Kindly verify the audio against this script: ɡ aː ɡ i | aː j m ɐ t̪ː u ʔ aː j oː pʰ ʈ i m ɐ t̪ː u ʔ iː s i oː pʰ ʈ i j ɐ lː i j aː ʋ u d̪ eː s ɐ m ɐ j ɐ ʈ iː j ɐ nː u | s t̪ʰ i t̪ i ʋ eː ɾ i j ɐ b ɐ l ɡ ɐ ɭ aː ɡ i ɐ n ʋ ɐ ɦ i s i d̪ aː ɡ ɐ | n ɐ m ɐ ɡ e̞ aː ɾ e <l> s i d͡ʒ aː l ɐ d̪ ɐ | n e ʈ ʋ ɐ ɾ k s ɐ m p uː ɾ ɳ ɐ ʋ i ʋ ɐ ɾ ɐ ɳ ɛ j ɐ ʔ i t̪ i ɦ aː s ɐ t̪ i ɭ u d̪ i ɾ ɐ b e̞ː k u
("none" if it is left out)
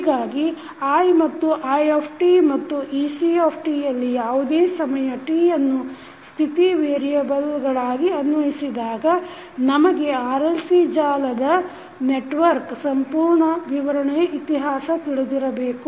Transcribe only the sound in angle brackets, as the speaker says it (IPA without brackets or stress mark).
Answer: l